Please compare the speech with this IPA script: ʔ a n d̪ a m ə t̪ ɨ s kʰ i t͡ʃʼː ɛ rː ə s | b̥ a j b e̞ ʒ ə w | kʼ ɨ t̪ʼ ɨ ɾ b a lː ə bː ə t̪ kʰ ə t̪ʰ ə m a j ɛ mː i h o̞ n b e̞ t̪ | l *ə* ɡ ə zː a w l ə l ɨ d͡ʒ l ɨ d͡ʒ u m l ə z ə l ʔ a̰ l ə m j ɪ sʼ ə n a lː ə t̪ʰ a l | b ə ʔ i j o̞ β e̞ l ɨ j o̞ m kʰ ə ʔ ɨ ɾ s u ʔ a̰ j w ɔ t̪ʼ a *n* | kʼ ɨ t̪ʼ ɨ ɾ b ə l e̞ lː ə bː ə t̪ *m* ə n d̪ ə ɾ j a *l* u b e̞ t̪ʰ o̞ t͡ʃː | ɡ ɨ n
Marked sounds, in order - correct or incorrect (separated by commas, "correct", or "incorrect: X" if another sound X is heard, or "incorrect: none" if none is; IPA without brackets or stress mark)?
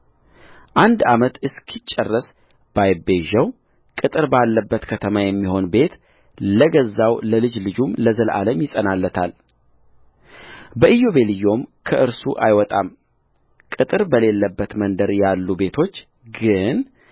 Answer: correct, incorrect: m, correct, incorrect: lː